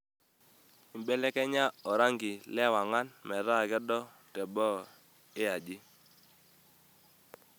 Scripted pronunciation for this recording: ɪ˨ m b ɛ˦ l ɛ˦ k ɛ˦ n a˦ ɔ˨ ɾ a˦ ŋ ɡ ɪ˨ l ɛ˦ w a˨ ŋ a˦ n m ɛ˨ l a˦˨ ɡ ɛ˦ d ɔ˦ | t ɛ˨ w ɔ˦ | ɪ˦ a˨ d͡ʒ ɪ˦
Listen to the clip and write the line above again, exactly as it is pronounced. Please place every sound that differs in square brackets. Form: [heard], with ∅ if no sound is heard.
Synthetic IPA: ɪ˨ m b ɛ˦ l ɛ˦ k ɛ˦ [ɲ] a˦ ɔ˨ ɾ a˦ ŋ ɡ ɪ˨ l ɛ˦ w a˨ ŋ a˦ n m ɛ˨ [ɾ] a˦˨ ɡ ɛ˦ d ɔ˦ | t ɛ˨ [b] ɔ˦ | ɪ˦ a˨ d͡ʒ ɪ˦